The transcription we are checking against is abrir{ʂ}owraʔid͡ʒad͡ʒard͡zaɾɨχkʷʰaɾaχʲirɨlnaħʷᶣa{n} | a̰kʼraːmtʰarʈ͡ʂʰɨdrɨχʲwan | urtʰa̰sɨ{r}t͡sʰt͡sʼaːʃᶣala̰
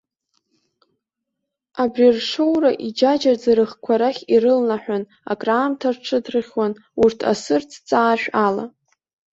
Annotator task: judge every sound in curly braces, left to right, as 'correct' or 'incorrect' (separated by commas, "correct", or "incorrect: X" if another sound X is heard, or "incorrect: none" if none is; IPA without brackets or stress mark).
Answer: correct, correct, correct